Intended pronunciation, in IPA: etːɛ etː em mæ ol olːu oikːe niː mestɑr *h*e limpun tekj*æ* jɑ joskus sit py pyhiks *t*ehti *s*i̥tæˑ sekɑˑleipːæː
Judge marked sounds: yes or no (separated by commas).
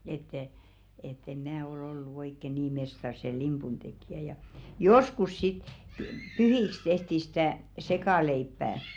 no, yes, yes, yes